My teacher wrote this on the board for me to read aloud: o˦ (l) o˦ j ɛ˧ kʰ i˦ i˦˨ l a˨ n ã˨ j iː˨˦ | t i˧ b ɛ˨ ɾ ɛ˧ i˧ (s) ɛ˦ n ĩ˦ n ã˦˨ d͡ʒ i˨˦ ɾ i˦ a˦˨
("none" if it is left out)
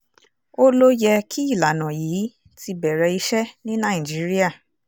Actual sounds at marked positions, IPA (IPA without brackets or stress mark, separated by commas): l, ʃ